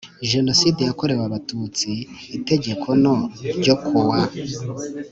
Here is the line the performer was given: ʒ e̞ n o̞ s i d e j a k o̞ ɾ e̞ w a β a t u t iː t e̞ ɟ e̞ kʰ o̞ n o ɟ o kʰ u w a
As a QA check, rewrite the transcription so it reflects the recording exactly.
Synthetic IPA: ʒ e̞ n o̞ s i d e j a k o̞ ɾ e̞ w a β a t u t͡s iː t e̞ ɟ e̞ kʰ o̞ n o ɟ o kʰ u w a